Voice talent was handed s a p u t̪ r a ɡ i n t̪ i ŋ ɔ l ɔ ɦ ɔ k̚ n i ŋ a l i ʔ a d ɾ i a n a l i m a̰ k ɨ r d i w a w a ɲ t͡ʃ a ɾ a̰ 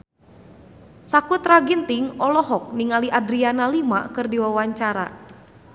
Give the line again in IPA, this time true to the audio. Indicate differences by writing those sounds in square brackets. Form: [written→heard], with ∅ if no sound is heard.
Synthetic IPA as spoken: s a [p→k] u t̪ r a ɡ i n t̪ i ŋ ɔ l ɔ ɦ ɔ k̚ n i ŋ a l i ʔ a d ɾ i a n a l i m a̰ k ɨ r d i w a w a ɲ t͡ʃ a ɾ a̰